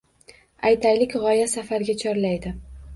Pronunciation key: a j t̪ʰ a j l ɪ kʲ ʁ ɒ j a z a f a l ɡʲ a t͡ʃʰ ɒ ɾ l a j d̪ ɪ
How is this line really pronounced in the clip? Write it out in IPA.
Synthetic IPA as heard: a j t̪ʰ a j l ɪ kʲ ʁ ɒ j a s a f a ɾ ɡʲ a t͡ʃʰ ɒ ɾ l a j d̪ ɪ